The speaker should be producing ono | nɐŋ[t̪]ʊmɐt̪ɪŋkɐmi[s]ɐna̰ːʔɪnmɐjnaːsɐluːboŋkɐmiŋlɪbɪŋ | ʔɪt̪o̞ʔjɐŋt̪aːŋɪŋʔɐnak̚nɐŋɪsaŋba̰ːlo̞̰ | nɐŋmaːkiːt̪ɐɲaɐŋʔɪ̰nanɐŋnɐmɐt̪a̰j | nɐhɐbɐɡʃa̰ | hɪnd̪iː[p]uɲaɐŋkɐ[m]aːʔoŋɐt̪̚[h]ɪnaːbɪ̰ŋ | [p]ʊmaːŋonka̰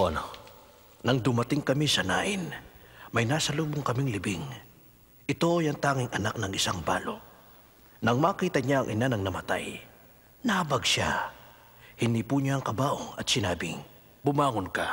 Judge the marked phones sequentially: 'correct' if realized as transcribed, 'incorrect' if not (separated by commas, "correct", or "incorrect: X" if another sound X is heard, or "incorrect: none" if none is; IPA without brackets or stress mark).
incorrect: d̪, correct, correct, incorrect: b, incorrect: s, incorrect: b